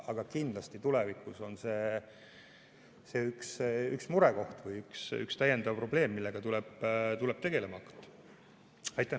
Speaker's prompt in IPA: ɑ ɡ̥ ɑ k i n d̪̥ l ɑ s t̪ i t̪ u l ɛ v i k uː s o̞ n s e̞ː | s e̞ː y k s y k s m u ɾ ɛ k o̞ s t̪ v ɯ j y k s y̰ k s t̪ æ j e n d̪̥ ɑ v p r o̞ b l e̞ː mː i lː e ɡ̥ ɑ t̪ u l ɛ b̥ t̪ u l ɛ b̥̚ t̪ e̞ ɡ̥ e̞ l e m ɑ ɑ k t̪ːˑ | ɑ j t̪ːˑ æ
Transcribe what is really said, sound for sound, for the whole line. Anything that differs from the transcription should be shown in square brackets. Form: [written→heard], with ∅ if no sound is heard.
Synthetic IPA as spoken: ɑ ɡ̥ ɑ k i n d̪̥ l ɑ s t̪ i t̪ u l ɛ v i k [uː→u] s o̞ n s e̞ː | s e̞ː y k s y k s m u ɾ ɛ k o̞ [s→h] t̪ v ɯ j y k s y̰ k s t̪ æ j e n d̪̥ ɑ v p r o̞ b l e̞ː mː i lː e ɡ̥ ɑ t̪ u l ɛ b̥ t̪ u l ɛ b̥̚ t̪ e̞ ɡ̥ e̞ l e m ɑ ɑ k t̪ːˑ | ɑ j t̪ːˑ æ